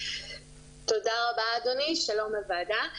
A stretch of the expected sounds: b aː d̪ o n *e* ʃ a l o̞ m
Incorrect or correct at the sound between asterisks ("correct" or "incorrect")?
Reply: incorrect